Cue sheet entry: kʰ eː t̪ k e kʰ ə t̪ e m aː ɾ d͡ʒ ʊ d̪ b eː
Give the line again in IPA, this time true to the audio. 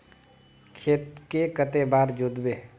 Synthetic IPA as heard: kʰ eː t̪ k e k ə t̪ e b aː ɾ d͡ʒ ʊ d̪ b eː